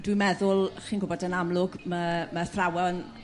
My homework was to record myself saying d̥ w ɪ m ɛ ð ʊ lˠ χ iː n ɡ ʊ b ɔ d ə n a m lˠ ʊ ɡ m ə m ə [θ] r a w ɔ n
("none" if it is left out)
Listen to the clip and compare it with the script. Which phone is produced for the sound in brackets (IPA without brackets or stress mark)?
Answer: θ